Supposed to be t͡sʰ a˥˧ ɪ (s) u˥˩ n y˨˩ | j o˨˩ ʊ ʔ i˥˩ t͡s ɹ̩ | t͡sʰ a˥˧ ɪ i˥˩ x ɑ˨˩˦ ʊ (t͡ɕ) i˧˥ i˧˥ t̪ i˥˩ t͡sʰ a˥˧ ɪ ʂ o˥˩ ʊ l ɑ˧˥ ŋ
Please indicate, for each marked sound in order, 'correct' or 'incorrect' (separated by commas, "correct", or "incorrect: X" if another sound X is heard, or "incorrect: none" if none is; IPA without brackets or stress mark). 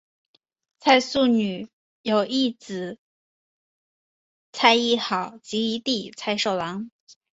correct, correct